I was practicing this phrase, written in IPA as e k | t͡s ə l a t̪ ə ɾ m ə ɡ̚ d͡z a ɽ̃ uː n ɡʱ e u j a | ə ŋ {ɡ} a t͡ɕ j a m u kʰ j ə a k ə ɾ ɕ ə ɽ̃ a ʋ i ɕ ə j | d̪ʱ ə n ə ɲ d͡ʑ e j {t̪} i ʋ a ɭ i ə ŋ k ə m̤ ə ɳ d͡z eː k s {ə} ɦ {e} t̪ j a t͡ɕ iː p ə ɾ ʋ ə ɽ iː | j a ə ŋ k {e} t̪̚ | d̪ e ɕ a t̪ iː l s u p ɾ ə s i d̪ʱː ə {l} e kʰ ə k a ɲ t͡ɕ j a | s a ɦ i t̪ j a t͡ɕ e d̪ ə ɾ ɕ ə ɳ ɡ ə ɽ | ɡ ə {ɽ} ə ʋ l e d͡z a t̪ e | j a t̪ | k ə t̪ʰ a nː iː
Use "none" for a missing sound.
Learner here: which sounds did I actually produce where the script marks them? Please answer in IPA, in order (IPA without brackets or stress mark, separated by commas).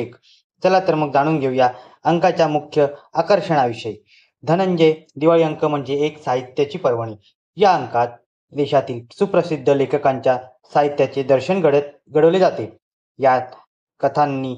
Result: k, d̪, a, i, a, l, ɽ